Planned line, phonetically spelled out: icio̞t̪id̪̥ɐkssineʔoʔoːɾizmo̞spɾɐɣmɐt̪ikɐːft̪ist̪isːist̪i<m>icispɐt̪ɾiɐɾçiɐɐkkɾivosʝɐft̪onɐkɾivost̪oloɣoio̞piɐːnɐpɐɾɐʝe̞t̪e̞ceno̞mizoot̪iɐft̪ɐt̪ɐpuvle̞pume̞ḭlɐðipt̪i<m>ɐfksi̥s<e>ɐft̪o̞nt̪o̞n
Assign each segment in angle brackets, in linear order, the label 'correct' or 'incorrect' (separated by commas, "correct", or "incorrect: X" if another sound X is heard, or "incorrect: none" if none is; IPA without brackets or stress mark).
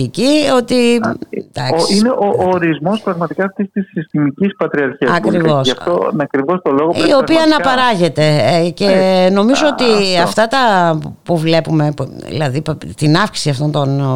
correct, incorrect: n, incorrect: i